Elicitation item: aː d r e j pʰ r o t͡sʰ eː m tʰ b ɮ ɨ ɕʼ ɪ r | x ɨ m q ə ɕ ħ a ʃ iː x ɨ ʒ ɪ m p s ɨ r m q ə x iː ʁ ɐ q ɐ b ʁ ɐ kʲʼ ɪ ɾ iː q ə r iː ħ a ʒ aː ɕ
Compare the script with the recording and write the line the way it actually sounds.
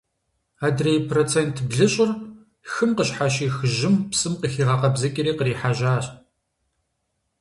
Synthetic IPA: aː d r e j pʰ r o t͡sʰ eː n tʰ b ɮ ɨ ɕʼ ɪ r | x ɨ m q ə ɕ ħ a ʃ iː x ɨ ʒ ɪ m p s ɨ m q ə x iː ʁ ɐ q ɐ b z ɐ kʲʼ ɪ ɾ iː q ə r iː ħ a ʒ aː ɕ

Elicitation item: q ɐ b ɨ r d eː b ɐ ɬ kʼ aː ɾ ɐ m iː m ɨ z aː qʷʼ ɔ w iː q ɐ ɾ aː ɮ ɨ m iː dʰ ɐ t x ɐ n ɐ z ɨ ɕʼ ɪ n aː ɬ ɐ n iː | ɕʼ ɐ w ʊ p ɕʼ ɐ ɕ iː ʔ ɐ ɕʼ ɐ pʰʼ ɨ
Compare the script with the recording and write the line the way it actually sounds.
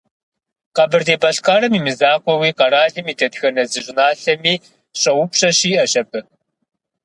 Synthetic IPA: q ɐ b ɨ r d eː b ɐ ɬ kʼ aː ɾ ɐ m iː m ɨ z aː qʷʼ ɔ w iː q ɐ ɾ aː ɮ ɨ m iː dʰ ɐ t x ɐ n ɐ z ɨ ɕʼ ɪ n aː ɬ ɐ m iː | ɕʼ ɐ w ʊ p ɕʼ ɐ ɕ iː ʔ ɐ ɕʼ ɐ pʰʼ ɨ

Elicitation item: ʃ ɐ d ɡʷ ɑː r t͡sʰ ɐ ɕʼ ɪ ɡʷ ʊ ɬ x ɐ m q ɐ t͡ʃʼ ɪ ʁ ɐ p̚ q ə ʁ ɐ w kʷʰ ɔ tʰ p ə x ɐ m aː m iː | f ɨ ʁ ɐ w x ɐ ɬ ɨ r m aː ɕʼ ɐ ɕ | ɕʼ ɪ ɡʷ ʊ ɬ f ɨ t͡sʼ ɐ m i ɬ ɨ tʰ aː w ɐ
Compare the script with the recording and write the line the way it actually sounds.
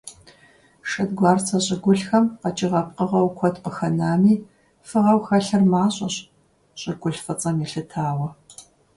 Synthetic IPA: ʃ ɐ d ɡʷ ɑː r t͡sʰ ɐ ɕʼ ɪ ɡʷ ʊ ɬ x ɐ m q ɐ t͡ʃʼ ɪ ʁ ɐ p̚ q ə ʁ ɐ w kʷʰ ɔ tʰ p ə x ɐ n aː m iː | f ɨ ʁ ɐ w x ɐ ɬ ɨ r m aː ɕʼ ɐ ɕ | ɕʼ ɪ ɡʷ ʊ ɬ f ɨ t͡sʼ ɐ m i ɬ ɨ tʰ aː w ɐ

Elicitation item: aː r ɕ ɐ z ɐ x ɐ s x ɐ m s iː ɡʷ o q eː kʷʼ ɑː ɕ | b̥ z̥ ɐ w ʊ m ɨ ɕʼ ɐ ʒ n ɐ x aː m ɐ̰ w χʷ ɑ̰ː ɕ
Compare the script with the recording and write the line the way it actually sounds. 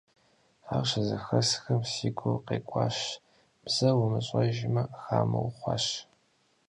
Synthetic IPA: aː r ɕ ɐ z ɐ x ɐ s x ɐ m s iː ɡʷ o q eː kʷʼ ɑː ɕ | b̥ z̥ ɐ w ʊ m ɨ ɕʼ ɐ ʒ m ɐ x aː m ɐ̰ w χʷ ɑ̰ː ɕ

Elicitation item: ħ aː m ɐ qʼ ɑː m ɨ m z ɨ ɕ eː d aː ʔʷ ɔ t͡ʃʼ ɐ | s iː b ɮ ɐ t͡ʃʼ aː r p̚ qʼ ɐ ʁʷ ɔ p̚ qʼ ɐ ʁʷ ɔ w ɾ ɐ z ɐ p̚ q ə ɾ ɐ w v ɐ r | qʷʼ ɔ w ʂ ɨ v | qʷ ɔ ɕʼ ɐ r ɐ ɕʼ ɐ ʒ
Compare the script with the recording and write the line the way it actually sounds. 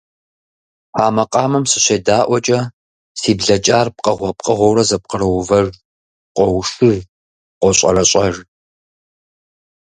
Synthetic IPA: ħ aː m ɐ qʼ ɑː m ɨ m s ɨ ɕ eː d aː ʔʷ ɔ t͡ʃʼ ɐ | s iː b ɮ ɐ t͡ʃʼ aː r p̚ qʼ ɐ ʁʷ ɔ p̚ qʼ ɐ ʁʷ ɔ w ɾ ɐ z ɐ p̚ q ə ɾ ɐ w v ɐ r | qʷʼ ɔ w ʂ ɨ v | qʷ ɔ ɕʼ ɐ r ɐ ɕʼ ɐ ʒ

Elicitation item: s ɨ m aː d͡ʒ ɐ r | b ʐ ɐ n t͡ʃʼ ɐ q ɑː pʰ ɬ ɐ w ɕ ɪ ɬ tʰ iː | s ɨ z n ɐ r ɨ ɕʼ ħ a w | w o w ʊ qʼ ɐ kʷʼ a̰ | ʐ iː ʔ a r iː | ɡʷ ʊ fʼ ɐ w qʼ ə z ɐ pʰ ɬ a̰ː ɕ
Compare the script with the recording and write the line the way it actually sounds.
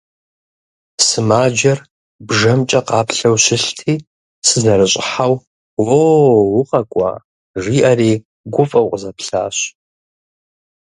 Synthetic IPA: s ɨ m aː d͡ʒ ɐ r | b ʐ ɐ m t͡ʃʼ ɐ q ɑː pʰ ɬ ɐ w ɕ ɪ ɬ tʰ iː | s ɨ z n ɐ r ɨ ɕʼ ħ a w | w o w ʊ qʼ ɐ kʷʼ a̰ | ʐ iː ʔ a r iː | ɡʷ ʊ fʼ ɐ w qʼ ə z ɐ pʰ ɬ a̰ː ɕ

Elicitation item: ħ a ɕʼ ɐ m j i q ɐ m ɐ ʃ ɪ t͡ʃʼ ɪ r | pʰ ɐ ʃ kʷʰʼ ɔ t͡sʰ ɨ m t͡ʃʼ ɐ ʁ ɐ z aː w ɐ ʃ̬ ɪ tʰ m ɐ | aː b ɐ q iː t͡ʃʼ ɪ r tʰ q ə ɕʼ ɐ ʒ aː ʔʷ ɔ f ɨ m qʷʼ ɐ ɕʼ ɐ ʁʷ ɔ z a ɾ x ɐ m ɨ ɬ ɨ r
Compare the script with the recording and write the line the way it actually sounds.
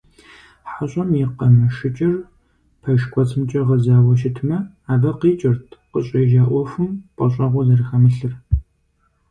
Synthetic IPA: ħ a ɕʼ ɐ m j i q ɐ m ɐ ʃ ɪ t͡ʃʼ ɪ r | pʰ ɐ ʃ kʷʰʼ ɔ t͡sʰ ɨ m t͡ʃʼ ɐ ʁ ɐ z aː w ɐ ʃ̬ ɪ tʰ m ɐ | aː b ɐ q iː t͡ʃʼ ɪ r tʰ q ə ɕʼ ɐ ʒ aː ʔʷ ɔ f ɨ m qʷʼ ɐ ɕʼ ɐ ʁʷ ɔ z ɐ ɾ x ɐ m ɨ ɬ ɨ r

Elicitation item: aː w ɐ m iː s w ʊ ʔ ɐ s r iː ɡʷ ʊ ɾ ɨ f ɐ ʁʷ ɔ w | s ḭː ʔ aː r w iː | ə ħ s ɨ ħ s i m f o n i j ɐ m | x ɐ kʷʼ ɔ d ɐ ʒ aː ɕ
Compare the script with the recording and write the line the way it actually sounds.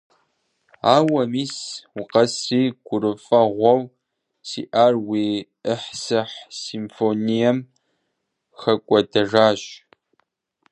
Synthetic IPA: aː w ɐ m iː s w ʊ q ɐ s r iː ɡʷ ʊ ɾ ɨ f ɐ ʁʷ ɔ w | s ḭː ʔ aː r w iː | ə ħ s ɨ ħ s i m f o n i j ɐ m | x ɐ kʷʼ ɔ d ɐ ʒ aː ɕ

